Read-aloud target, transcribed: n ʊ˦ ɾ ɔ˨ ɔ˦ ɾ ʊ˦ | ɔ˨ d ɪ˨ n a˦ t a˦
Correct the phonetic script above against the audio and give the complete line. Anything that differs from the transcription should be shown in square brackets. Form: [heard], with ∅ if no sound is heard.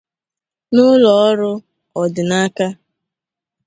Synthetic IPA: n ʊ˦ [l] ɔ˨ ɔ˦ ɾ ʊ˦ | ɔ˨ d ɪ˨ n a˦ [k] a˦